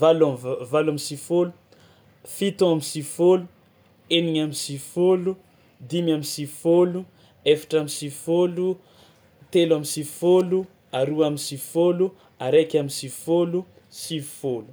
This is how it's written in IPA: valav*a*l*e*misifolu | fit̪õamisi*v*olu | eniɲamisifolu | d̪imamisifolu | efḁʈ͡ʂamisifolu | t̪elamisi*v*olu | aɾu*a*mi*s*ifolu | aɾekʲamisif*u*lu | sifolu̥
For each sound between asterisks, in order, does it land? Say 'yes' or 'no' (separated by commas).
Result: yes, no, no, no, yes, yes, no